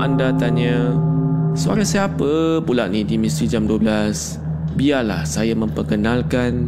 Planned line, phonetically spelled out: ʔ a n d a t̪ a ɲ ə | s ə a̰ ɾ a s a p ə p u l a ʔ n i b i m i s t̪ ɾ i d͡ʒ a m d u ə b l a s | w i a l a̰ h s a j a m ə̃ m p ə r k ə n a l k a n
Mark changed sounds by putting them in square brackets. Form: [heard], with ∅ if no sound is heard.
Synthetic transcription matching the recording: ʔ a n d a t̪ a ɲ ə | s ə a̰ ɾ a s a p ə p u l a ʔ n i [d] i m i s t̪ ɾ i d͡ʒ a m d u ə b l a s | [b] i a l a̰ h s a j a m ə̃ m p ə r k ə n a l k a n